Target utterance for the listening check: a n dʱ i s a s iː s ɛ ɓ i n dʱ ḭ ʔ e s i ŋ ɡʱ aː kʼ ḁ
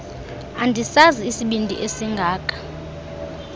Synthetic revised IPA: a n dʱ i s a z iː s i ɓ i n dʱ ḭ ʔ e s i ŋ ɡʱ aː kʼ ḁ